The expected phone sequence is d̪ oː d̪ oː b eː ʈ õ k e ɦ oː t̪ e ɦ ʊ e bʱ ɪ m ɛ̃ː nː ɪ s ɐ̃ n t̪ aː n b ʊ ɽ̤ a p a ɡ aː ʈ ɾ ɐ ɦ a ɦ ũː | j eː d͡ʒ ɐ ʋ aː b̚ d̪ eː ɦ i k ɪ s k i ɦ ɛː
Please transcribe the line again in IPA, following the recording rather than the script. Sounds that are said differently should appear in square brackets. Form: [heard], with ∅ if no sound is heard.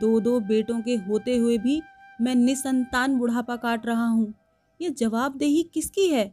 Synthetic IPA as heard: d̪ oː d̪ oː b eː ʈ õ k e ɦ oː t̪ e ɦ ʊ e bʱ [i] m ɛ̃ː [n] ɪ s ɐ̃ n t̪ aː n b ʊ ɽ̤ a p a [k] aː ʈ ɾ ɐ ɦ a ɦ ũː | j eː d͡ʒ ɐ ʋ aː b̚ d̪ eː ɦ i k ɪ s k i ɦ ɛː